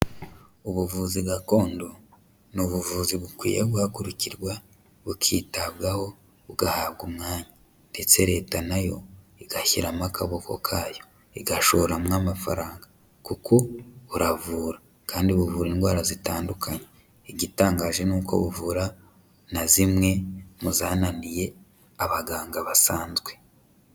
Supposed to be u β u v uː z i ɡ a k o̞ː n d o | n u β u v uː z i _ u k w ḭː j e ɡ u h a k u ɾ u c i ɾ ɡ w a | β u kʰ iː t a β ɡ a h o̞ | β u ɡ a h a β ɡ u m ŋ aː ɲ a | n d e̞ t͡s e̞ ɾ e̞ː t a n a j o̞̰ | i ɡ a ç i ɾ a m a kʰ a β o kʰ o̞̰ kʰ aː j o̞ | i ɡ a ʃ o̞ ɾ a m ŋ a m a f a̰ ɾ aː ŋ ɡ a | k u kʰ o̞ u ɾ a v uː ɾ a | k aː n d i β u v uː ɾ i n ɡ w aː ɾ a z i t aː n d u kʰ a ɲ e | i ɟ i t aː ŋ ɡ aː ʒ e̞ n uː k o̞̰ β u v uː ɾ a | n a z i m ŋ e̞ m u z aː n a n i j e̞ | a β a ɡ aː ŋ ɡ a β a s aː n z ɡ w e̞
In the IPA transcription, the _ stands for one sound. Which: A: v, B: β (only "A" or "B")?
B